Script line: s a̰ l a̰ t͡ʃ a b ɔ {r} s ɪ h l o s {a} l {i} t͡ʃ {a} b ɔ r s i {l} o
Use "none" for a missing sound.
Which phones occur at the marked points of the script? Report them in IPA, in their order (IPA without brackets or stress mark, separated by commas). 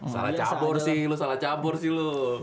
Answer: r, a, a, a, l